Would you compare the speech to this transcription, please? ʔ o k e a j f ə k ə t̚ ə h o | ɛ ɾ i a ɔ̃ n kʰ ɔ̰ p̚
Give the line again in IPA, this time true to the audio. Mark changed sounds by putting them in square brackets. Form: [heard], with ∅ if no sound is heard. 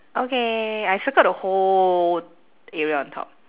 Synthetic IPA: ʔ o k e a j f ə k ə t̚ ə h o | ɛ [ɹ] i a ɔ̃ n [tʰ] ɔ̰ p̚

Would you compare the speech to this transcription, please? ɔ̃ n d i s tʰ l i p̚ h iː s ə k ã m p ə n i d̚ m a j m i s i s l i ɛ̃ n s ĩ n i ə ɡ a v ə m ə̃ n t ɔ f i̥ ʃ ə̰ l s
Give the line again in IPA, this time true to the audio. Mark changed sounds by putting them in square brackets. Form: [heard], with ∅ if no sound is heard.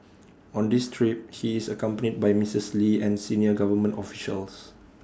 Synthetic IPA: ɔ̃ n d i s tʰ [ɹ] i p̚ h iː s ə k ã m p ə n i d̚ [b] a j m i s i s l i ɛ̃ n s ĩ n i ə ɡ a v ə m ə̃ n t ɔ f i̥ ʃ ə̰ l s

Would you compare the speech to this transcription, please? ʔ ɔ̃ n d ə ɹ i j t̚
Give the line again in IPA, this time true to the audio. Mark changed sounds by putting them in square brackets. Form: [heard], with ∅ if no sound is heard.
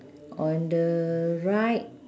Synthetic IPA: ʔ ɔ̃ n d ə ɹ [a] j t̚

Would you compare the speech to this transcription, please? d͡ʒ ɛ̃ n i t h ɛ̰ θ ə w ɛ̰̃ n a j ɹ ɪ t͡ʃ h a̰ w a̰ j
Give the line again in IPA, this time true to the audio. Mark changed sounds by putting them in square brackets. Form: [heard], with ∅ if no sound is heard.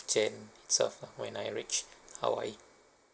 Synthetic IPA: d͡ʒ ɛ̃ n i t [s] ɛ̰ [f] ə w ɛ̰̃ n a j ɹ [i] t͡ʃ h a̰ w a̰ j

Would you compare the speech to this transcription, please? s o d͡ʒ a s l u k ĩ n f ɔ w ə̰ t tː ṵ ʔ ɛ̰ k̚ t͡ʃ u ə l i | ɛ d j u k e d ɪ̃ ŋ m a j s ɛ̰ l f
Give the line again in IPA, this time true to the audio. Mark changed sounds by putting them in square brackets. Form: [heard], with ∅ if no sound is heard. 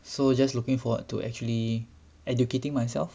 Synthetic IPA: s o d͡ʒ a s l u k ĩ [ŋ] f ɔ w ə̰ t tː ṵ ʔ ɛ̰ k̚ t͡ʃ u ə l i | ɛ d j u k e [t] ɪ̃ ŋ m a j s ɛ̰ l f

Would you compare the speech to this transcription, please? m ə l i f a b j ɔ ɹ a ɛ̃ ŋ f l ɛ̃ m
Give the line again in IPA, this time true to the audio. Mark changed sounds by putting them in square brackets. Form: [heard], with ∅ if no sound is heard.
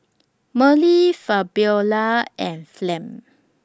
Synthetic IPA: m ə l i f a b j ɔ [l] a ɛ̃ [n] f l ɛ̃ m

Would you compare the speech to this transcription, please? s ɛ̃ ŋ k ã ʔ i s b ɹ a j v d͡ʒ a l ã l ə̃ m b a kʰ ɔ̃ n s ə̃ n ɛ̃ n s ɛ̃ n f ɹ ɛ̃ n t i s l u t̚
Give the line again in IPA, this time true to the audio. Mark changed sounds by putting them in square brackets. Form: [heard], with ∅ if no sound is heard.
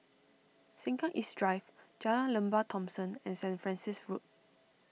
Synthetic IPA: s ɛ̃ ŋ k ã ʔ i s [d] ɹ a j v d͡ʒ a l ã l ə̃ m b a [tʰ] ɔ̃ [m] s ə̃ n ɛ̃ n s ɛ̃ n f ɹ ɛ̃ n [s] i s [ɹ] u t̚

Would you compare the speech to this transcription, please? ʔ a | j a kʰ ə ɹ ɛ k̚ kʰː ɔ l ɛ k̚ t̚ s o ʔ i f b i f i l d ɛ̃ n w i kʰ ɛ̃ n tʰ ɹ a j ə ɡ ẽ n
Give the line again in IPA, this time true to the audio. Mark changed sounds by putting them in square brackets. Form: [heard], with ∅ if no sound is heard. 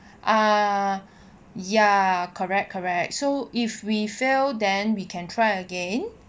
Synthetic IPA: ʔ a | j a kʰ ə ɹ ɛ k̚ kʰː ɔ [ɹ] ɛ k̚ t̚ s o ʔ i f [w] i f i l d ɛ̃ n w i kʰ ɛ̃ n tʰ ɹ a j ə ɡ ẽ n

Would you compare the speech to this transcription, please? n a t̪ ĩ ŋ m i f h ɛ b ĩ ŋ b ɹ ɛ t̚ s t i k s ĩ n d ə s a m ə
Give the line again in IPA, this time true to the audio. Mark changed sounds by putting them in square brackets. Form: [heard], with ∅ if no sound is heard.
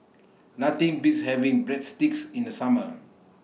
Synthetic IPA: n a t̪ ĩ ŋ [b] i [s] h ɛ [v] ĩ ŋ b ɹ ɛ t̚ s t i k s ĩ n d ə s a m ə

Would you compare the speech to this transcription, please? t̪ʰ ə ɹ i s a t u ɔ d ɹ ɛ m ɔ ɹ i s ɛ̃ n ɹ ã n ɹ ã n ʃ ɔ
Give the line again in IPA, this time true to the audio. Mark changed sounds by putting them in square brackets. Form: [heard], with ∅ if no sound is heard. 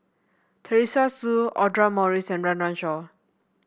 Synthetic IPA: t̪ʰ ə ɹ i s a [s] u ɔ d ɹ [a] m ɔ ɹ i s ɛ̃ n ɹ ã n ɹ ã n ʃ ɔ

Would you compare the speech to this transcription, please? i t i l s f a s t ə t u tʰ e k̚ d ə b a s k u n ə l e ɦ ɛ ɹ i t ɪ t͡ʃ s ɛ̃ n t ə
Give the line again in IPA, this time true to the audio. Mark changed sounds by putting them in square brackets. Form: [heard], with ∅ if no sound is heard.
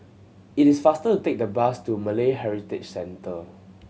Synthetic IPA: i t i [∅] s f a s t ə t u [t] e k̚ d ə b a s [t] u [m] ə l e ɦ ɛ ɹ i t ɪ t͡ʃ s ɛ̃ n t ə

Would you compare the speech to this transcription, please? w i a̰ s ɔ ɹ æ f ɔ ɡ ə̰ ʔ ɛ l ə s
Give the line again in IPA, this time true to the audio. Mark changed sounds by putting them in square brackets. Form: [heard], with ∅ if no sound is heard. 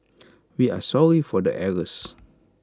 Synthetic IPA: w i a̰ s ɔ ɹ [i] f ɔ [d] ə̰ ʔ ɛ [ɹ] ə s

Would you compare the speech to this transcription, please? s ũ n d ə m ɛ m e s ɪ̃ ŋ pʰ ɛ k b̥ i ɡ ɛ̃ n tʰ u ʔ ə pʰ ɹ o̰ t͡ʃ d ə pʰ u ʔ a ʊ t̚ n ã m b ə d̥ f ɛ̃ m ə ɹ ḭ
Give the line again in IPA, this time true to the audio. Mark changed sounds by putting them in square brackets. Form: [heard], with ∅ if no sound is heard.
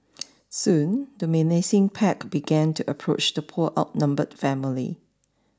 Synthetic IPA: s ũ n d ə m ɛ [n] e s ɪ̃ ŋ pʰ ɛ k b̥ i ɡ ɛ̃ n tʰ u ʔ ə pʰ ɹ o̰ t͡ʃ d ə pʰ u ʔ a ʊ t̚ n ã m b ə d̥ f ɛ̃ m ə [l] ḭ

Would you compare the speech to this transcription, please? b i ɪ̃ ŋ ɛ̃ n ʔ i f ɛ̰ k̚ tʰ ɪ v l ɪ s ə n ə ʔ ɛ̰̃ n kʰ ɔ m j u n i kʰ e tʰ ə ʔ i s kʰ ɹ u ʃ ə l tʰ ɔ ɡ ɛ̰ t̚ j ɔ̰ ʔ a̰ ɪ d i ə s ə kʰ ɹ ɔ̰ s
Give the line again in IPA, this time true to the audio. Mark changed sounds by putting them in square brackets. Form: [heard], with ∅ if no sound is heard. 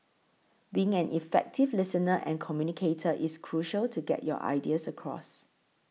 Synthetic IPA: b i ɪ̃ ŋ ɛ̃ n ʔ i f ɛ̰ k̚ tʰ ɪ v l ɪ s ə n ə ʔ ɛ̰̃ n kʰ ɔ m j u n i kʰ e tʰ ə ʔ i s kʰ ɹ u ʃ ə l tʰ [u] ɡ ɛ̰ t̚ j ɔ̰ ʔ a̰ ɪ d i ə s ə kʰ ɹ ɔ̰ s

